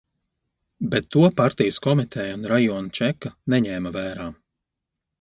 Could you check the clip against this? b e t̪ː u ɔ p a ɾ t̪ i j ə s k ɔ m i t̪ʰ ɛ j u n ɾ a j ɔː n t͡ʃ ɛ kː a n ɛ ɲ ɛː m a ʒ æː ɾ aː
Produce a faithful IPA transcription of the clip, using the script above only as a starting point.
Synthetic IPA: b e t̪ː u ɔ p a ɾ t̪ i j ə s k ɔ m i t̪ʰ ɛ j u n ɾ a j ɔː n t͡ʃ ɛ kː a n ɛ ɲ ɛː m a v æː ɾ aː